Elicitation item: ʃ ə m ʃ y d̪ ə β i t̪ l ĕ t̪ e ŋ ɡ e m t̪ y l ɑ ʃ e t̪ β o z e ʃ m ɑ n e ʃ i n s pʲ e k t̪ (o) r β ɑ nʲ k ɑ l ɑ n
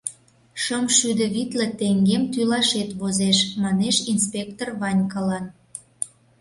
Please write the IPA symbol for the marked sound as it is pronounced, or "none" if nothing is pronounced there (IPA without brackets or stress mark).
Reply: o